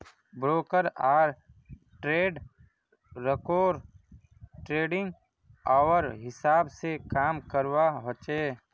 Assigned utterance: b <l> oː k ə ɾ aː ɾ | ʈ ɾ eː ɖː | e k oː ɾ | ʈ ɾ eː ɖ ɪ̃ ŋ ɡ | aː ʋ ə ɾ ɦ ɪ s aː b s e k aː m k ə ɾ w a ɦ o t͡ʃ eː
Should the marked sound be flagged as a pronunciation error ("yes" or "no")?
yes